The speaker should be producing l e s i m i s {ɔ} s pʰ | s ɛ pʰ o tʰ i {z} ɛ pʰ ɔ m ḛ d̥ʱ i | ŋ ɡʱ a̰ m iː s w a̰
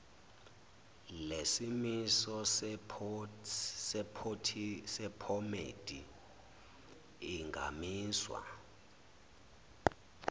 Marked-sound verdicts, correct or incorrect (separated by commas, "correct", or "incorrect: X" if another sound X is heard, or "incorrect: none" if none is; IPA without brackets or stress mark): correct, incorrect: s